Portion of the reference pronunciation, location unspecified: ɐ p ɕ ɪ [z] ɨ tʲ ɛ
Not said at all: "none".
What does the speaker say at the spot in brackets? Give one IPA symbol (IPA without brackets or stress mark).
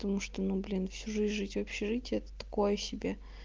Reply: ʐ